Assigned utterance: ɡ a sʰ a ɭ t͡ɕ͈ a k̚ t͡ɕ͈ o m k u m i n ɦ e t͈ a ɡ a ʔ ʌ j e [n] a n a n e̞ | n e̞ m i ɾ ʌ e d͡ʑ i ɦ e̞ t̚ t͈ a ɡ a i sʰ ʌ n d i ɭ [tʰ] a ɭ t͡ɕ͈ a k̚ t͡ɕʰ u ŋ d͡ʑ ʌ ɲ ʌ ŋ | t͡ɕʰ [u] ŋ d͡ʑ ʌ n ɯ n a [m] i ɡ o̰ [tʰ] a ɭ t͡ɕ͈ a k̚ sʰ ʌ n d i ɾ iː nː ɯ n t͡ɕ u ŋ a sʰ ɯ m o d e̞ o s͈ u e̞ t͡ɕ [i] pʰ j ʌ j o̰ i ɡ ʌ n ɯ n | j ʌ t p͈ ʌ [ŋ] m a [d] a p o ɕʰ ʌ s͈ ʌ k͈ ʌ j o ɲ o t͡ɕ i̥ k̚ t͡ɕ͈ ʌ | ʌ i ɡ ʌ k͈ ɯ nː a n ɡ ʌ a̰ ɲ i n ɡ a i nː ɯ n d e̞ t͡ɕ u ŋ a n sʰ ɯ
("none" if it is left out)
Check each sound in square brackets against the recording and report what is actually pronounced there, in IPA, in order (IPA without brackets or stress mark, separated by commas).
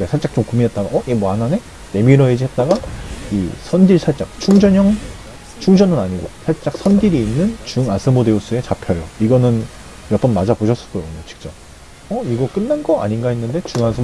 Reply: m, sʰ, u, ɲ, sʰ, a, n, d͡ʑ